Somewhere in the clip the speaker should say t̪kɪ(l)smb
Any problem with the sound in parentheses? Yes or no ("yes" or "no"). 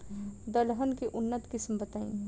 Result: yes